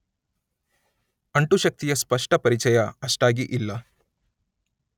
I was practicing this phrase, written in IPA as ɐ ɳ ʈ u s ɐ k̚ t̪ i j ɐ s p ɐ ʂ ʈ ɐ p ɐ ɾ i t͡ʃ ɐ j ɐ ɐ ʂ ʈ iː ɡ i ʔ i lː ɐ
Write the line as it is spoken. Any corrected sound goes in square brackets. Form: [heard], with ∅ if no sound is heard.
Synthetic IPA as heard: ɐ ɳ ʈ u [ʃ] ɐ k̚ t̪ i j ɐ s p ɐ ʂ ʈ ɐ p ɐ ɾ i t͡ʃ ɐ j ɐ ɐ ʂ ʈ [aː] ɡ i ʔ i lː ɐ